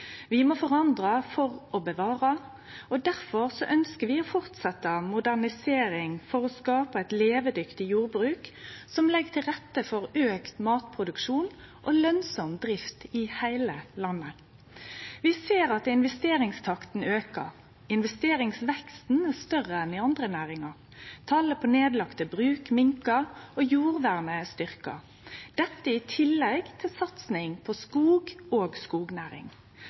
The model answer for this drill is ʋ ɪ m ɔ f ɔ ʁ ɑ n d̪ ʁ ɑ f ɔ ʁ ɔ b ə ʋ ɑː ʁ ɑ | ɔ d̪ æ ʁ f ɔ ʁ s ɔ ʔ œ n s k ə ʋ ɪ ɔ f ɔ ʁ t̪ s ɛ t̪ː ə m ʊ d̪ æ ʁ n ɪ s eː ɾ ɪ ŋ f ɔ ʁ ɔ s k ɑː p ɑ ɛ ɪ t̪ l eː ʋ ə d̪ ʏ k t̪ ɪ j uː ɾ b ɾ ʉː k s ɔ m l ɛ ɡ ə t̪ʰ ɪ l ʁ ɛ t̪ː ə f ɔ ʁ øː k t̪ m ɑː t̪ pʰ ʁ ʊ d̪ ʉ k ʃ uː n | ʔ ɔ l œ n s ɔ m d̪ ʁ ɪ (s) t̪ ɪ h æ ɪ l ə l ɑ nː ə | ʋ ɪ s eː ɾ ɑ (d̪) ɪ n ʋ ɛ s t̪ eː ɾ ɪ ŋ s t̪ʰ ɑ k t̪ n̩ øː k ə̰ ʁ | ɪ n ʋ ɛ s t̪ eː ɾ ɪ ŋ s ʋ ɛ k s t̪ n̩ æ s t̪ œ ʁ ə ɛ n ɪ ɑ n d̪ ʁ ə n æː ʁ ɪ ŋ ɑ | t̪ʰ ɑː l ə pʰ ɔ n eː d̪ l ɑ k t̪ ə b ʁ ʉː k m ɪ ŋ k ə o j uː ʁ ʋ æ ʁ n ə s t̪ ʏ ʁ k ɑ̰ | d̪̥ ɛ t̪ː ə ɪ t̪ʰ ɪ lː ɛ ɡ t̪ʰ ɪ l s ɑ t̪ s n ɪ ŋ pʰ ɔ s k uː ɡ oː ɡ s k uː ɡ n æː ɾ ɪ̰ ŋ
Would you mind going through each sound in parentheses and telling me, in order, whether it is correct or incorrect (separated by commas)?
incorrect, incorrect